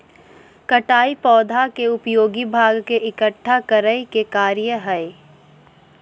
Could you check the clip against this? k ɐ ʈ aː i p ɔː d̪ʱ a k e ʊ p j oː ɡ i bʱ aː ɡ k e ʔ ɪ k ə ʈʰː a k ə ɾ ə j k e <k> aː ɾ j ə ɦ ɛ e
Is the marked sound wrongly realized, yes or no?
no